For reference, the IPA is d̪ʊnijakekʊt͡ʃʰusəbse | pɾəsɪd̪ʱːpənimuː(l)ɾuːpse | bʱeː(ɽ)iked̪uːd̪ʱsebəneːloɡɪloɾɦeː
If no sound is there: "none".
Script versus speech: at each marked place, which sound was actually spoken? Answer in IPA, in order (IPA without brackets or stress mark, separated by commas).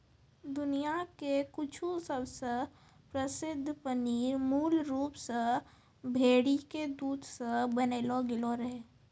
l, ɽ